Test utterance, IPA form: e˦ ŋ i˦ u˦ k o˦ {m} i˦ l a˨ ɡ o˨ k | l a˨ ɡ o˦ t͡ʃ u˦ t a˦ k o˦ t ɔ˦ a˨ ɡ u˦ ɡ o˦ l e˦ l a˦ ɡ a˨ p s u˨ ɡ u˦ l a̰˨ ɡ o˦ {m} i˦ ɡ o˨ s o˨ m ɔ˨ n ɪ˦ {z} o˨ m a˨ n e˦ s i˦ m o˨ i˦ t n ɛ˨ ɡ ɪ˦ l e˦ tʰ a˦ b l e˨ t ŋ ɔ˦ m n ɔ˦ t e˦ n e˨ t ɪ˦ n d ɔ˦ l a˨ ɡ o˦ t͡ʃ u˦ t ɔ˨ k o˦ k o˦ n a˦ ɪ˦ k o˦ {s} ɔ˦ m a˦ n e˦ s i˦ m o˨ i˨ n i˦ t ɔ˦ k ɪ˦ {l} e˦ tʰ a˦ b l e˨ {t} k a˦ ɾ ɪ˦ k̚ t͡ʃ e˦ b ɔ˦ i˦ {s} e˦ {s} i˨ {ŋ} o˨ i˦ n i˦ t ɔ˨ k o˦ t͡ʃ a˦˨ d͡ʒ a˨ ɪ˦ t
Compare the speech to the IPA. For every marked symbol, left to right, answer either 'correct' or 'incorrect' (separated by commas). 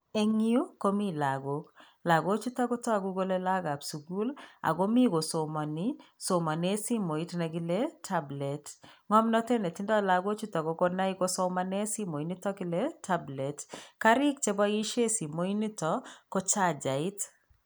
correct, correct, incorrect, correct, correct, correct, incorrect, correct, incorrect